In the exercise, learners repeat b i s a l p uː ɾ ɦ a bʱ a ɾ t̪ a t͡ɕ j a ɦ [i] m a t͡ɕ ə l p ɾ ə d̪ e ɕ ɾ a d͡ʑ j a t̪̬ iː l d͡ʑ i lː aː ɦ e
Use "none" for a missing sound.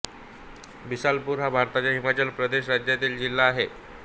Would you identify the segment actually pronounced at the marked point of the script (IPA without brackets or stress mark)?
i